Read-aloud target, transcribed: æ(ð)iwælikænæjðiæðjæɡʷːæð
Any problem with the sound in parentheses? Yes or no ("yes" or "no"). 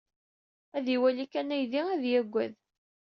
no